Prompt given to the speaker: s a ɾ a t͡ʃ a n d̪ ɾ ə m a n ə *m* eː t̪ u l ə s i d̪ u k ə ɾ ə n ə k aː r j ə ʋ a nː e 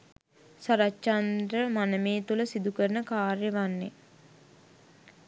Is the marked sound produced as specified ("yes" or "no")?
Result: yes